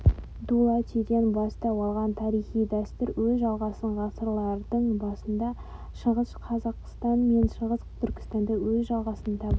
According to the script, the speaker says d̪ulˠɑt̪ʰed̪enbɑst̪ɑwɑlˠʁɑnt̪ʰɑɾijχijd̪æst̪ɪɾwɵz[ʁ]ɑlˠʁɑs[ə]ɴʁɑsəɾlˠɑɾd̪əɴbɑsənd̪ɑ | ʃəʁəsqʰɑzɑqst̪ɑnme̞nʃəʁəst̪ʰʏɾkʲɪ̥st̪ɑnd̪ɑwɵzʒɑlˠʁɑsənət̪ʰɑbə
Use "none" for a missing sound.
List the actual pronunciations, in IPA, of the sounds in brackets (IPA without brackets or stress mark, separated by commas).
ʒ, ə